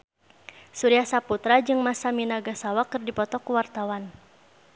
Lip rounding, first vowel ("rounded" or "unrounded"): rounded